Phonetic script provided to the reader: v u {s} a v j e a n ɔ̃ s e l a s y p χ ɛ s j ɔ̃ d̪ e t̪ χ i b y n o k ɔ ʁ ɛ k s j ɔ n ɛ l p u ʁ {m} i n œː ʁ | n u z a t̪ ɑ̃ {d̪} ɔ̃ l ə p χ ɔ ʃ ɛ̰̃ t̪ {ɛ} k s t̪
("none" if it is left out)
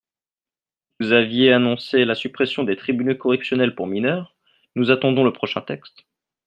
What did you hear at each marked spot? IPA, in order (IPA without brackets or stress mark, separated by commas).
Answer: z, m, d̪, ɛ